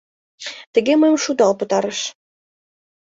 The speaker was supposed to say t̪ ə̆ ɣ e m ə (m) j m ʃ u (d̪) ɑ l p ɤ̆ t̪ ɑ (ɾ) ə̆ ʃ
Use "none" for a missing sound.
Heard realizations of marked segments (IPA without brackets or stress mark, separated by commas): none, d̪, ɾ